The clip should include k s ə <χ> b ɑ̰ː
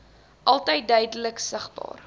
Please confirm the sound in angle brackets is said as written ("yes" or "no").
yes